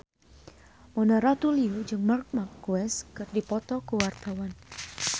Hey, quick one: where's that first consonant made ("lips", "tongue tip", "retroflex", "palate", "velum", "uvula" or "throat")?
lips